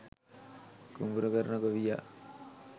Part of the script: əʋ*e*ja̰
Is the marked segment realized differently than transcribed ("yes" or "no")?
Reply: yes